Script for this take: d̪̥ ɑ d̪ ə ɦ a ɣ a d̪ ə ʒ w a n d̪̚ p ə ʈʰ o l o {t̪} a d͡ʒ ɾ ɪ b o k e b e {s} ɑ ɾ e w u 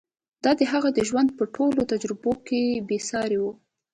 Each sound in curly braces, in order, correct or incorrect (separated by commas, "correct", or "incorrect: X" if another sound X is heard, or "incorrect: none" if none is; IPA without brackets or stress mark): correct, correct